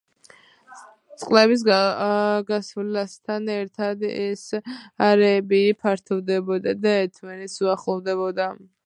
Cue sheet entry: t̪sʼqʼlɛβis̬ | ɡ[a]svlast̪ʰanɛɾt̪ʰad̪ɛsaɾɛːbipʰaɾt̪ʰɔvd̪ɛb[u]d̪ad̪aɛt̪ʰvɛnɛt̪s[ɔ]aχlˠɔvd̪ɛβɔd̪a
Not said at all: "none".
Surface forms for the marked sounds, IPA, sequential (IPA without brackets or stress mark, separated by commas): a, ɔ, u